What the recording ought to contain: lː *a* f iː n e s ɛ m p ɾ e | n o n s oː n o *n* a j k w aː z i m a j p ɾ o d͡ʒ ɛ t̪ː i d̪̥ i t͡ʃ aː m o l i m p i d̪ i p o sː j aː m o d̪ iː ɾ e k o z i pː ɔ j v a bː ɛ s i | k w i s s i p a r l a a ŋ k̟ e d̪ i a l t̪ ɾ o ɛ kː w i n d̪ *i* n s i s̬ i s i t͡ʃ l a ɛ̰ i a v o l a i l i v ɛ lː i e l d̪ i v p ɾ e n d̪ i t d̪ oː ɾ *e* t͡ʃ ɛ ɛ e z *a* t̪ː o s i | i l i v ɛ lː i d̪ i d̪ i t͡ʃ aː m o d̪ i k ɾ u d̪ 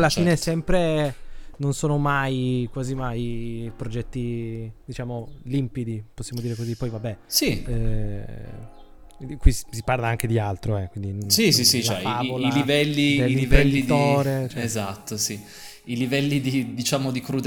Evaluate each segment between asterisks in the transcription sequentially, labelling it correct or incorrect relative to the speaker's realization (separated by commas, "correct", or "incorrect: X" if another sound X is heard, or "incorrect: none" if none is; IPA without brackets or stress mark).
correct, incorrect: m, correct, correct, correct